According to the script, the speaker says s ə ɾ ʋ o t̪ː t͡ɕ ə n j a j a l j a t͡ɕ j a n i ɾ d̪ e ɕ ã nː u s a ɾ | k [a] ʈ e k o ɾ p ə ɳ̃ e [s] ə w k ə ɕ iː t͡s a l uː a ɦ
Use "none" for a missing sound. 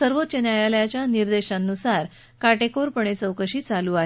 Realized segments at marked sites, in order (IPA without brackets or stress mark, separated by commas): a, t͡s